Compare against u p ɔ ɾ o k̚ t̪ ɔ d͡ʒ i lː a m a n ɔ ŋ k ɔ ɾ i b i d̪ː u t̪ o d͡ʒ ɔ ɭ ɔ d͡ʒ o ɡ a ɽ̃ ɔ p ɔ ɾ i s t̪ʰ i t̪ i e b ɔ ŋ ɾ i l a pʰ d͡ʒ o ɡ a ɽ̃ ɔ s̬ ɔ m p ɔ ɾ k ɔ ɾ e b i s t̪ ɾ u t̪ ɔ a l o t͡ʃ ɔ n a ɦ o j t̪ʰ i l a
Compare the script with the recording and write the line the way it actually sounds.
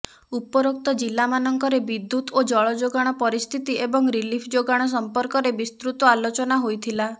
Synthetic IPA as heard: u p ɔ ɾ o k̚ t̪ ɔ d͡ʒ i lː a m a n ɔ ŋ k ɔ ɾ e b i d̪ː u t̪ o d͡ʒ ɔ ɭ ɔ d͡ʒ o ɡ a ɽ̃ ɔ p ɔ ɾ i s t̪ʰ i t̪ i e b ɔ ŋ ɾ i l i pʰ d͡ʒ o ɡ a ɽ̃ ɔ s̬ ɔ m p ɔ ɾ k ɔ ɾ e b i s t̪ ɾ u t̪ ɔ a l o t͡ʃ ɔ n a ɦ o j t̪ʰ i l a